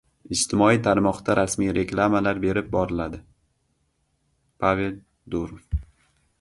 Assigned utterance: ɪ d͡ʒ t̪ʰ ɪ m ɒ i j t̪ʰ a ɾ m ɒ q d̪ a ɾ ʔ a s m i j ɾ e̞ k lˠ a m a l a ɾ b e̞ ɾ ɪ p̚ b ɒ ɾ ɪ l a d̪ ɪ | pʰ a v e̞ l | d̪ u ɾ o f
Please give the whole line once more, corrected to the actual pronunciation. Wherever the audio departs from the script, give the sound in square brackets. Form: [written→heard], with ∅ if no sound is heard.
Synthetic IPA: ɪ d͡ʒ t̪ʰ ɪ m ɒ i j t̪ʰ a ɾ m ɒ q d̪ a ɾ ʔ a s m i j ɾ e̞ k lˠ a m a l a ɾ b e̞ ɾ ɪ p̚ b ɒ ɾ ɪ l a d̪ ɪ | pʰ a v e̞ l | d̪ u ɾ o f